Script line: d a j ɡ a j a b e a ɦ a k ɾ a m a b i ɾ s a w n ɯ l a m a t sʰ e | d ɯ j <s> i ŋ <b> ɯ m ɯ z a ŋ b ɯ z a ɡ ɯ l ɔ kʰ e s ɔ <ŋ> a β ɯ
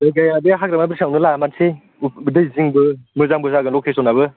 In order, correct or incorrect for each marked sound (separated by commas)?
incorrect, correct, incorrect